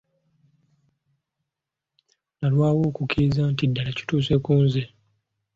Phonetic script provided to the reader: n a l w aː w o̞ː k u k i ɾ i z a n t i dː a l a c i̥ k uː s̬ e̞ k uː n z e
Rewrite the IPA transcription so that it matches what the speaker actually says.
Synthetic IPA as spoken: n a l w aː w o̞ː k u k i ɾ i z a n t i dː a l a c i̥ t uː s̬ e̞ k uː n z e